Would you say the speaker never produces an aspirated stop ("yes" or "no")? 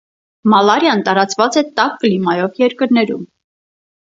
yes